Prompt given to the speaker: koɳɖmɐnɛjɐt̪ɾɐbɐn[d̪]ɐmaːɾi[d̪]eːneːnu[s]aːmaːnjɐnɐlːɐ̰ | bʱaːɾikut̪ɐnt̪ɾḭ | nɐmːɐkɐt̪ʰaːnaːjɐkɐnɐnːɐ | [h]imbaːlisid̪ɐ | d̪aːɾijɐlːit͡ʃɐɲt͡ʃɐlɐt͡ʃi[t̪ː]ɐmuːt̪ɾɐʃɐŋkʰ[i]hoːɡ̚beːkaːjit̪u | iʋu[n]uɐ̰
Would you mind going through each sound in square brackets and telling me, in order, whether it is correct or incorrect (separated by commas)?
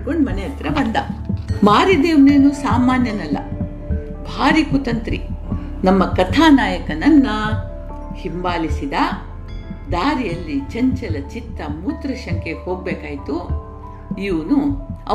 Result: correct, correct, correct, correct, correct, incorrect, correct